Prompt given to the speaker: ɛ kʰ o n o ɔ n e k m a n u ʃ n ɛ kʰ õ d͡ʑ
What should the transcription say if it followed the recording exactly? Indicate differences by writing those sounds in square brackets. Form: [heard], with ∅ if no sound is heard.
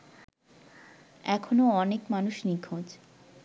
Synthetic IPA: ɛ kʰ o n o ɔ n e k m a n u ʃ n [i] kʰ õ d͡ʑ

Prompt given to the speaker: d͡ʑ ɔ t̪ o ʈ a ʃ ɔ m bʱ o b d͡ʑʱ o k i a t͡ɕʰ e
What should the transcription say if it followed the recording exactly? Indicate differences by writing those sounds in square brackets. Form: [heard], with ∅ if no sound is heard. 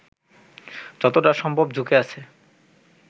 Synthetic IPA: d͡ʑ ɔ t̪ o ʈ a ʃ ɔ m bʱ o b d͡ʑʱ [u] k [e] a t͡ɕʰ e

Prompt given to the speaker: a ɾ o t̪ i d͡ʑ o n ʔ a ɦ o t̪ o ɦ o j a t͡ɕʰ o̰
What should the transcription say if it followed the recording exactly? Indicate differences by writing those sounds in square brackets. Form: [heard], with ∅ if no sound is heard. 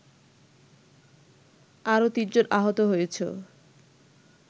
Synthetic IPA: a ɾ o t̪ i d͡ʑ o n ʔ a ɦ o t̪ o ɦ o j [e] t͡ɕʰ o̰

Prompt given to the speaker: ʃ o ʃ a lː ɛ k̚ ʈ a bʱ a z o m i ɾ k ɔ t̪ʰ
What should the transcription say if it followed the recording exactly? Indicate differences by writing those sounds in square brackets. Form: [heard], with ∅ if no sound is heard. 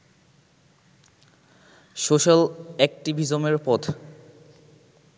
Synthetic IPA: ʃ o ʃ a [l] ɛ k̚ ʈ [i] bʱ [i] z o m [e] ɾ [p] ɔ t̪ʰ

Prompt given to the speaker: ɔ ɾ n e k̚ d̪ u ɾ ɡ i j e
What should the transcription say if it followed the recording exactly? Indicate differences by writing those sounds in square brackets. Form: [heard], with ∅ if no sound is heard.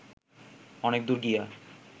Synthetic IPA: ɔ [∅] n e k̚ d̪ u ɾ ɡ i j [a]

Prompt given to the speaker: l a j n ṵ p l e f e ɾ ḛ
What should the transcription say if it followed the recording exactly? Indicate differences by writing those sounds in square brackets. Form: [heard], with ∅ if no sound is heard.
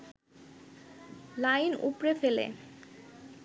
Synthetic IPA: l a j n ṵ p [ɾ] e f e [l] ḛ

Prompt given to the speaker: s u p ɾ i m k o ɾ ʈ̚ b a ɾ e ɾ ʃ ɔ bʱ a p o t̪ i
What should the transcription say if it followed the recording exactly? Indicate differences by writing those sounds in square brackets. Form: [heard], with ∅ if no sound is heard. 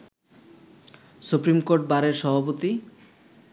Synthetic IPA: s u p ɾ i m k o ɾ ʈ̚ b a ɾ e ɾ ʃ ɔ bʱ a p o t̪ i

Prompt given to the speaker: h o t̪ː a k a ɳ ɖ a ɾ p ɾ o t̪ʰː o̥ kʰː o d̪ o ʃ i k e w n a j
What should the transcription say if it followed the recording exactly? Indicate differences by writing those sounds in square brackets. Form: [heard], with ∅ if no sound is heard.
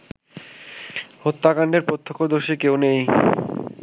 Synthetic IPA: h o t̪ː a k a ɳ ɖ [e] ɾ p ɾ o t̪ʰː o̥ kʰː o d̪ o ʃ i k e w n [e] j

